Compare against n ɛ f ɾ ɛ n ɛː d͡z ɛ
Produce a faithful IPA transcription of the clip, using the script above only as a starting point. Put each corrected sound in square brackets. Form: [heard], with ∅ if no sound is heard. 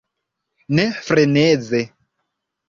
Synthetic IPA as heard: n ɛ f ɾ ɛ n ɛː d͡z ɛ